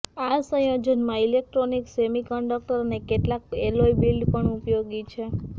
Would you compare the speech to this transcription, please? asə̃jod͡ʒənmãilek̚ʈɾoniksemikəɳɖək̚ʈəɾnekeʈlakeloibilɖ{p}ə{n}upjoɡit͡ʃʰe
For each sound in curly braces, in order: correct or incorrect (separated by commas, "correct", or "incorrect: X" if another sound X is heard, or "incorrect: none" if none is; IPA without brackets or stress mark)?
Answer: correct, incorrect: ɳ